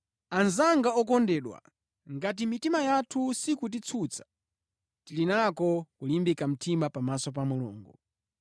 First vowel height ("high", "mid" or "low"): low